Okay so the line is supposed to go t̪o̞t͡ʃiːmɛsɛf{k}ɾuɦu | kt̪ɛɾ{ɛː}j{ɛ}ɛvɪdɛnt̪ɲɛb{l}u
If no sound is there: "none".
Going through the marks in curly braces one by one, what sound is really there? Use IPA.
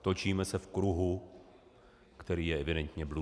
k, iː, ɛ, l

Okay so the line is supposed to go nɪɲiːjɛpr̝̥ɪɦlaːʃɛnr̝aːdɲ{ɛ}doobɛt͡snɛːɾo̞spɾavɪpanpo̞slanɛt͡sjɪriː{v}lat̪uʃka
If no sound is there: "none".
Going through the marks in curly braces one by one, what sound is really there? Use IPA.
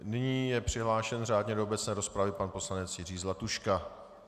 ɛ, z

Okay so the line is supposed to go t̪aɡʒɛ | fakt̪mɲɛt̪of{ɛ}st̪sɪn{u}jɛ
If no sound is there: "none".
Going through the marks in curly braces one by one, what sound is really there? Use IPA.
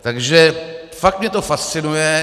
a, u

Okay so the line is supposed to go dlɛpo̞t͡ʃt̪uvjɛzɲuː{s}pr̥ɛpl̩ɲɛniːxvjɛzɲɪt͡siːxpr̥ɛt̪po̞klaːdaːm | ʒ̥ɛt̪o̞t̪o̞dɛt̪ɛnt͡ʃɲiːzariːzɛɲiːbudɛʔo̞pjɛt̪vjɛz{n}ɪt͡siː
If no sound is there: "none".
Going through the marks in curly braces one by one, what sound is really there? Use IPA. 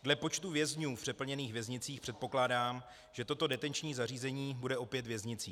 f, ɲ

